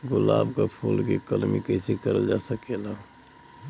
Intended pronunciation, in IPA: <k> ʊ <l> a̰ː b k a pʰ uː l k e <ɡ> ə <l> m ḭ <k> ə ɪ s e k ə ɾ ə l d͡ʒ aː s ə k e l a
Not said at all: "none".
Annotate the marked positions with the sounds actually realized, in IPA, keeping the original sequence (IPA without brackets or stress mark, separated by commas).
ɡ, l, k, l, k